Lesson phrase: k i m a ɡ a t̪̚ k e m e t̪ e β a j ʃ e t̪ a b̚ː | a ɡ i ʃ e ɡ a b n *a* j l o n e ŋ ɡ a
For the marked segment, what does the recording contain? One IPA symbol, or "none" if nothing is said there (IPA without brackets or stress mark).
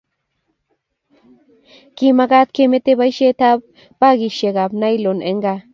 a